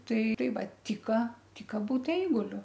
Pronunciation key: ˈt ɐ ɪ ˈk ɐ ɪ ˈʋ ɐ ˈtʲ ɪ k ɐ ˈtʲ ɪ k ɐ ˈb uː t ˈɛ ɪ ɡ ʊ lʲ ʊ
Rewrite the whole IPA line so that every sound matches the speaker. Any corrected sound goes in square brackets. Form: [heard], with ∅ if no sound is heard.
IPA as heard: ˈt ɐ ɪ [ˈt] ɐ ɪ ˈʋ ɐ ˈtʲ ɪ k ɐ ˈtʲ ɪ k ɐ ˈb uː t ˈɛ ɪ ɡ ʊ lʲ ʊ